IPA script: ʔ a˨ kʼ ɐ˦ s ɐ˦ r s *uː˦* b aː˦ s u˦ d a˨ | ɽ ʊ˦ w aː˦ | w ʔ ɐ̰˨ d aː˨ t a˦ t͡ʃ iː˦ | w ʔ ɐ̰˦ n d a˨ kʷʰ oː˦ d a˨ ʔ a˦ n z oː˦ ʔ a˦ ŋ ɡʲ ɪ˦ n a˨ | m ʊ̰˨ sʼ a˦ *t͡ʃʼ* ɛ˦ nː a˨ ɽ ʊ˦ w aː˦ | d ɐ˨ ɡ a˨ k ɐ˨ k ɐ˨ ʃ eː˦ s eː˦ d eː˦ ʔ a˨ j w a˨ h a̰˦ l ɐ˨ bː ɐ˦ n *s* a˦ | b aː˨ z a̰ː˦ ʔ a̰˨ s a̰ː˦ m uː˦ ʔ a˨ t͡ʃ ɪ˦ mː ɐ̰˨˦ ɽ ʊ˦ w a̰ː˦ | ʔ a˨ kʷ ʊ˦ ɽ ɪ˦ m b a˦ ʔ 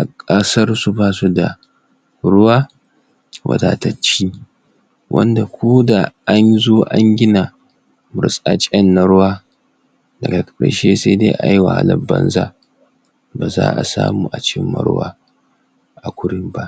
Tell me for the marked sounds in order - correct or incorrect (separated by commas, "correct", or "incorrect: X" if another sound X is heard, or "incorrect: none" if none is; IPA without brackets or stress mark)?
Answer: incorrect: u˦, correct, incorrect: z